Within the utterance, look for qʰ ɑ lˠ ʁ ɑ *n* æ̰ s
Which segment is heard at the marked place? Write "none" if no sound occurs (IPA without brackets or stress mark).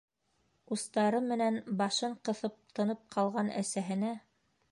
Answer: n